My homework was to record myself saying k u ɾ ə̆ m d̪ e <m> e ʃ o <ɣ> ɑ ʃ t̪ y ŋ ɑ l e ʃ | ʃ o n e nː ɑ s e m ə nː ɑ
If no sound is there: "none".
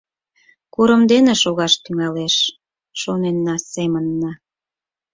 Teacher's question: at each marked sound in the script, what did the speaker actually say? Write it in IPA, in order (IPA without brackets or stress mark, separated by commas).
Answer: n, ɣ